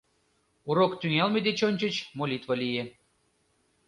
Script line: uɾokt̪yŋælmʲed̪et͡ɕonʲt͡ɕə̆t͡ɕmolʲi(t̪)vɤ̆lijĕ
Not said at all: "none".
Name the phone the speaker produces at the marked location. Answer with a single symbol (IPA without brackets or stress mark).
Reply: t̪